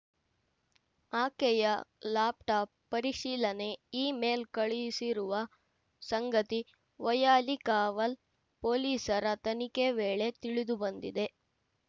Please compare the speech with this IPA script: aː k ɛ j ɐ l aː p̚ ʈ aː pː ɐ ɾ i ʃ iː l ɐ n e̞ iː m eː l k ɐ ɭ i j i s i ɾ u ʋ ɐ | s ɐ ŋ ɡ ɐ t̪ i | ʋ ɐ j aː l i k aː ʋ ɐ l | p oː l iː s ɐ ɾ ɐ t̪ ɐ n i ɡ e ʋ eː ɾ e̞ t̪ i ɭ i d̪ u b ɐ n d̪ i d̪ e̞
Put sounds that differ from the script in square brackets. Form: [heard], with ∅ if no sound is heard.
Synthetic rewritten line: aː k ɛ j ɐ l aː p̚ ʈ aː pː ɐ ɾ i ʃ iː l ɐ n e̞ iː m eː l k ɐ ɭ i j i s i ɾ u ʋ ɐ | s ɐ ŋ ɡ ɐ t̪ i | ʋ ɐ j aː l i k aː ʋ ɐ l | p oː l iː s ɐ ɾ ɐ t̪ ɐ n i [k] e ʋ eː [ɭ] e̞ t̪ i ɭ i d̪ u b ɐ n d̪ i d̪ e̞

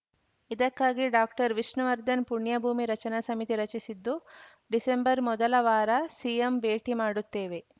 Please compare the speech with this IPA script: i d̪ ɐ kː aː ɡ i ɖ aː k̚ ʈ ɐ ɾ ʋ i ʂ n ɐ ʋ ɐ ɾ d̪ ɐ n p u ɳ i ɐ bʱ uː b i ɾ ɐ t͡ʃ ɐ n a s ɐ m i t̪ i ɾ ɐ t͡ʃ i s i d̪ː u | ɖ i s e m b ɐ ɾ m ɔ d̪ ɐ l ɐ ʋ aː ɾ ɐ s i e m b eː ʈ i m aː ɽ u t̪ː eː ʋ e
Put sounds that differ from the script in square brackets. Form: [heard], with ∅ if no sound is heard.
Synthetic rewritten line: i d̪ ɐ kː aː ɡ i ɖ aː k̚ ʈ ɐ ɾ ʋ i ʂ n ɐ ʋ ɐ ɾ d̪ ɐ n p u ɳ [j] ɐ bʱ uː [m] i ɾ ɐ t͡ʃ ɐ n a s ɐ m i t̪ i ɾ ɐ t͡ʃ i s i d̪ː u | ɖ i s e m b ɐ ɾ m ɔ d̪ ɐ l ɐ ʋ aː ɾ ɐ s i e m b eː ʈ i m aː ɽ u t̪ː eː ʋ e

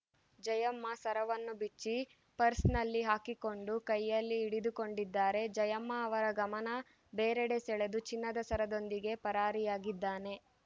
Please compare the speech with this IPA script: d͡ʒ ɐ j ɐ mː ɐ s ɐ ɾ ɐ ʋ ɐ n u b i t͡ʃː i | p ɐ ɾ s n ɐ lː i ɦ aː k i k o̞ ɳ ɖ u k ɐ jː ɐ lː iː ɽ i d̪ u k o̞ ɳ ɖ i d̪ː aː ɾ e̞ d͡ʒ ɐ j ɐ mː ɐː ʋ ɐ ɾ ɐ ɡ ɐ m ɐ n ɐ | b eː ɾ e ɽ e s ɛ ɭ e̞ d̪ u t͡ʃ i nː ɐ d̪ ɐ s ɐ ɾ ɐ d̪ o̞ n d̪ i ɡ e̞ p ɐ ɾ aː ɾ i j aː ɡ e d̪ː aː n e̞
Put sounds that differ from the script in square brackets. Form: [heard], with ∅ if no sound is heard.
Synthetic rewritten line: d͡ʒ ɐ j ɐ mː ɐ s ɐ ɾ ɐ ʋ ɐ [nː] u b i t͡ʃː i | p ɐ ɾ s n ɐ lː i ɦ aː k i k o̞ ɳ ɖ u k ɐ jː ɐ lː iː ɽ i d̪ u k o̞ ɳ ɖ i d̪ː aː ɾ e̞ d͡ʒ ɐ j ɐ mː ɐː ʋ ɐ ɾ ɐ ɡ ɐ m ɐ n ɐ | b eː ɾ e ɽ e s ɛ ɭ e̞ d̪ u t͡ʃ i nː ɐ d̪ ɐ s ɐ ɾ ɐ d̪ o̞ n d̪ i ɡ e̞ p ɐ ɾ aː ɾ i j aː ɡ [i] d̪ː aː n e̞

